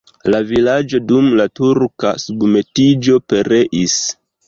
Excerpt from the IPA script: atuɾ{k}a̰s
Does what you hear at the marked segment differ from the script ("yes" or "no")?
no